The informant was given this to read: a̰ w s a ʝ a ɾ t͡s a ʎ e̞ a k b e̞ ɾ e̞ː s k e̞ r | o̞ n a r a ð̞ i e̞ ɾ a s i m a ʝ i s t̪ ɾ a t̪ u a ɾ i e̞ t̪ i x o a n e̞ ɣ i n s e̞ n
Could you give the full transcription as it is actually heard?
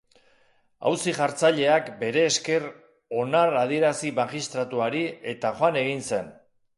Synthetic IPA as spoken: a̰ w s i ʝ a ɾ t͡s a ʎ e̞ a k b e̞ ɾ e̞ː s k e̞ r | o̞ n a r a ð̞ i e̞ ɾ a s i m a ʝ i s t̪ ɾ a t̪ u a ɾ i e̞ t̪ a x o a n e̞ ɣ i n s e̞ n